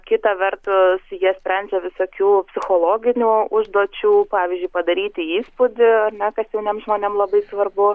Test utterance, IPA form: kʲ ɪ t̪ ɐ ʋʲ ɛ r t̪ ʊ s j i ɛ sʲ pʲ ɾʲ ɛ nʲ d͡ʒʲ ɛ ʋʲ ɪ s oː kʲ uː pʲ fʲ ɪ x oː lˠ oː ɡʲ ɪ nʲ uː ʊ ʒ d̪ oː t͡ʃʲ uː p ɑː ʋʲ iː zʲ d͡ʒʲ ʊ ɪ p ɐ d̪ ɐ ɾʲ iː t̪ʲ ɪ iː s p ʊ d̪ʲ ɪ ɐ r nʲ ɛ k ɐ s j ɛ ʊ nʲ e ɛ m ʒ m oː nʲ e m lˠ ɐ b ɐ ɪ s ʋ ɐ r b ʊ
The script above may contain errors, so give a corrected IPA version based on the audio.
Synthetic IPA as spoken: kʲ ɪ t̪ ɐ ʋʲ ɛ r t̪ ʊ s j i ɛ sʲ pʲ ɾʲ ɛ nʲ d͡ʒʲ ɛ ʋʲ ɪ s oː kʲ uː pʲ sʲ ɪ x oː lˠ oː ɡʲ ɪ nʲ uː ʊ ʒ d̪ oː t͡ʃʲ uː p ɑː ʋʲ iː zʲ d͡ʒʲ ʊ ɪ p ɐ d̪ ɐ ɾʲ iː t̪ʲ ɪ iː s p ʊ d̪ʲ ɪ ɐ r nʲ ɛ k ɐ s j ɛ ʊ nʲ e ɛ m ʒ m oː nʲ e m lˠ ɐ b ɐ ɪ s ʋ ɐ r b ʊ